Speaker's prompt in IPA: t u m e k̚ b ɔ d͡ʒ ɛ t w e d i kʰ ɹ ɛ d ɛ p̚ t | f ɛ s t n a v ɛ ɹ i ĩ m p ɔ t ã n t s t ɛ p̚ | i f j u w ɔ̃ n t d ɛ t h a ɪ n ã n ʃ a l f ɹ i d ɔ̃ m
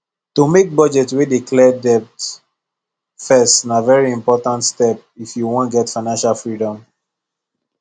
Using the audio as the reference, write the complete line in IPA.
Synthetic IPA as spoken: t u m e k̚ b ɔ d͡ʒ ɛ t w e d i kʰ l ɛ d ɛ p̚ t | f ɛ s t n a v ɛ ɹ i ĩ m p ɔ t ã n t s t ɛ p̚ | i f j u w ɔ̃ n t ɡ ɛ t f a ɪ n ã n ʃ a l f ɹ i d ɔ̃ m